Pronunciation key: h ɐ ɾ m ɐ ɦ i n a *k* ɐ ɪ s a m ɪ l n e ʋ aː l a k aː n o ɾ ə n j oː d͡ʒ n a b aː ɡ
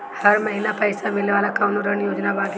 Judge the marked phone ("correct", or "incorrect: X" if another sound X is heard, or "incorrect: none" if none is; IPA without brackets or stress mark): incorrect: p